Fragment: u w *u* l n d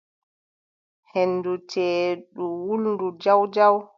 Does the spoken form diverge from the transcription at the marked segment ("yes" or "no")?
no